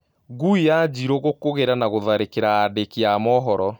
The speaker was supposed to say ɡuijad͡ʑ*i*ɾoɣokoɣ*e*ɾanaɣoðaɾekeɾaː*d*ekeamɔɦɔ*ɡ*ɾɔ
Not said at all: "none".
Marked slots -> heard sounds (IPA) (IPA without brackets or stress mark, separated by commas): i, e, d, none